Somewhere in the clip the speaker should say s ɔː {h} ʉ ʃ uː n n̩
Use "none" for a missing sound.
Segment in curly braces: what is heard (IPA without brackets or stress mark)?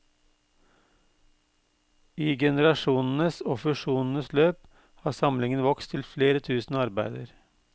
f